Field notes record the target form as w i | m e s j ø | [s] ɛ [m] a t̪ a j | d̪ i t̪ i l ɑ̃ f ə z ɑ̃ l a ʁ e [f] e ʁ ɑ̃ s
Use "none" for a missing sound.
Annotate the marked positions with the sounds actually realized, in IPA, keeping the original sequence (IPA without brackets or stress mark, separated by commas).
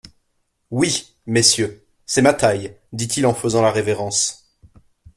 s, m, v